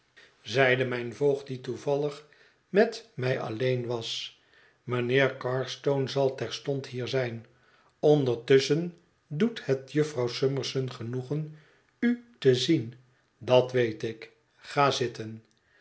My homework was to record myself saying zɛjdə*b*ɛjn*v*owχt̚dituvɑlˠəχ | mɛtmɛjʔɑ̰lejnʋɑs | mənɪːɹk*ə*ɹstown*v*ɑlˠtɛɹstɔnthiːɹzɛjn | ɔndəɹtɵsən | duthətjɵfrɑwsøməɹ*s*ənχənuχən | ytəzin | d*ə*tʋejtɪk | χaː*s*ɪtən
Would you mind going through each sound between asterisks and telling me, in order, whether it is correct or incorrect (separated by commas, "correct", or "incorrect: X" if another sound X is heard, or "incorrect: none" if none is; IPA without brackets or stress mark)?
incorrect: m, correct, incorrect: ɑ, incorrect: z, correct, incorrect: ɑ, incorrect: z